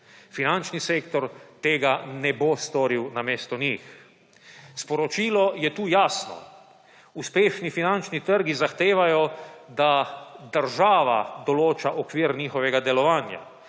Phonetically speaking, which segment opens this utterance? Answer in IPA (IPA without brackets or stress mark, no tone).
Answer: f